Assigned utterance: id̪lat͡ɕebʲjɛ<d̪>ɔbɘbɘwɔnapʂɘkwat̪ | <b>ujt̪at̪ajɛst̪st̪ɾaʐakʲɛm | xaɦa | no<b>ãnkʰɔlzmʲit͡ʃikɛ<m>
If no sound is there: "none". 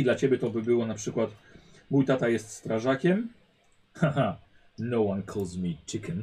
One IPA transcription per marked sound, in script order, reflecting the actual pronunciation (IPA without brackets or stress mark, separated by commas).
t̪, m, w, n